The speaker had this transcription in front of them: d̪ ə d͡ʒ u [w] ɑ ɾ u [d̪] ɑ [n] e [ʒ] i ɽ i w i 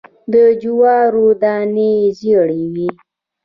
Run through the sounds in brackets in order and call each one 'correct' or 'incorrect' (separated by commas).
correct, correct, correct, incorrect